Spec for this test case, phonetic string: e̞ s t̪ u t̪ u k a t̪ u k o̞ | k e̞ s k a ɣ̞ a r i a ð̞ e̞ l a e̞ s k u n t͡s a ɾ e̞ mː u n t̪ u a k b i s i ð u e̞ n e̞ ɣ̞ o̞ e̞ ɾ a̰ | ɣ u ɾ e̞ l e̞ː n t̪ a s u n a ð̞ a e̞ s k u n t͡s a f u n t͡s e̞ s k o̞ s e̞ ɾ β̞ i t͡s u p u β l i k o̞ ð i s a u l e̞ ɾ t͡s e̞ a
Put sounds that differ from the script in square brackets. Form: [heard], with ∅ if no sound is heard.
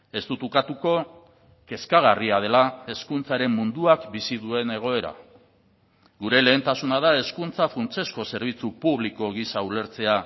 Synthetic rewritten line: e̞ s t̪ u t̪ u k a t̪ u k o̞ | k e̞ s k a ɣ̞ a r i a ð̞ e̞ l a e̞ s k u n t͡s a ɾ e̞ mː u n [d̪] u a k b i s i ð u e̞ n e̞ ɣ̞ o̞ e̞ ɾ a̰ | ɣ u ɾ e̞ l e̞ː n t̪ a s u n a ð̞ a e̞ s k u n t͡s a f u n t͡s e̞ s k o̞ s e̞ ɾ β̞ i t͡s u p u β l i k o̞ [ɣ] i s a u l e̞ ɾ t͡s e̞ a